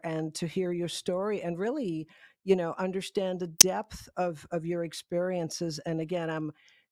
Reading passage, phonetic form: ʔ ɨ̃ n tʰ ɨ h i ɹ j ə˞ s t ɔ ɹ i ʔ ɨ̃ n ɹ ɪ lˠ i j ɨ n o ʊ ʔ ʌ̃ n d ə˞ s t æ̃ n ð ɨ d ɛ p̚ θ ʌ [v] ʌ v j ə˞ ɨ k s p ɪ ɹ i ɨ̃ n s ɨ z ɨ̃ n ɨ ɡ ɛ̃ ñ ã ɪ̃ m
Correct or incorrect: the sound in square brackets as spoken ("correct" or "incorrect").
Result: correct